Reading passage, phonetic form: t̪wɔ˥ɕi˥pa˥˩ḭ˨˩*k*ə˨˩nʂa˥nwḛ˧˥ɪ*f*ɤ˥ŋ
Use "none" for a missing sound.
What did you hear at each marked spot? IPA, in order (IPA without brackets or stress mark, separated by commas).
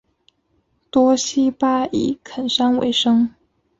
kʰ, ʂ